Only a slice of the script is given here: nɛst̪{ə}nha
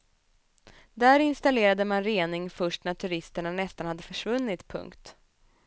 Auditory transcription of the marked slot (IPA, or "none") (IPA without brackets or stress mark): a